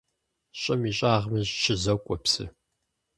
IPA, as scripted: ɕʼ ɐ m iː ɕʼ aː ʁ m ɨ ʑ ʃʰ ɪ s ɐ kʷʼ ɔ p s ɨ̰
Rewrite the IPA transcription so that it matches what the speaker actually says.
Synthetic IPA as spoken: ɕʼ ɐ m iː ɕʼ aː ʁ m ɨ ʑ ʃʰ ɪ z ɐ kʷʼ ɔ p s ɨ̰